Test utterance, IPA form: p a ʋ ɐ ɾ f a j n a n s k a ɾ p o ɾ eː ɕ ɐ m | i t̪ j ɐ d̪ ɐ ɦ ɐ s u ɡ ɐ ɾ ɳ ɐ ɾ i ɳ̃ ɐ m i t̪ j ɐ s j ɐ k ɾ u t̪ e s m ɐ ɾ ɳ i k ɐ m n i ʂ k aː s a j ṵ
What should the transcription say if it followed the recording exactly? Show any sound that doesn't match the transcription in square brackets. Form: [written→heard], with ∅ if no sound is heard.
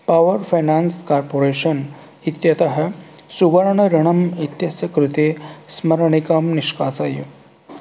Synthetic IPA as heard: p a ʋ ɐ ɾ f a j n a n s k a ɾ p o ɾ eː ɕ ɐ [m→n] | i t̪ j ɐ [d̪→t̪] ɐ ɦ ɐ s u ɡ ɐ ɾ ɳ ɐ ɾ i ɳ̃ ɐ m i t̪ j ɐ s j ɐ k ɾ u t̪ e s m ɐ ɾ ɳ i k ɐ m n i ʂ k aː s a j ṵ